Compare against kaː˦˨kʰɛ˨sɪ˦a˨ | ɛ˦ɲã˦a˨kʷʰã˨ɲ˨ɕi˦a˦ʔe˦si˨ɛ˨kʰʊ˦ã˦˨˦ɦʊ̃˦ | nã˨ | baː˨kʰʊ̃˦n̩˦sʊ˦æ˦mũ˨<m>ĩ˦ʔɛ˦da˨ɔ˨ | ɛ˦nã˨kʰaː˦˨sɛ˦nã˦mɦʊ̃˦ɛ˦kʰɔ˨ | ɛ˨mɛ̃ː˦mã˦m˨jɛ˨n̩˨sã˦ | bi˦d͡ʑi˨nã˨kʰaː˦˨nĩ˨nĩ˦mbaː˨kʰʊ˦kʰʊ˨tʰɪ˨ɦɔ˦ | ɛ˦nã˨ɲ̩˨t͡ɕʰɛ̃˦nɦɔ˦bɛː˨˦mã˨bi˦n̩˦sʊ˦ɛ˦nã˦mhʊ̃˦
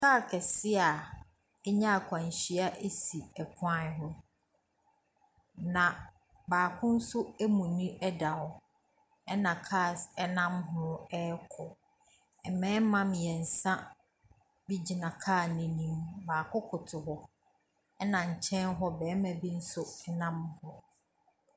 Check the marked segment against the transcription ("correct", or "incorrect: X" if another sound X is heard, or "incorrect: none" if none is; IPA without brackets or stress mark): incorrect: n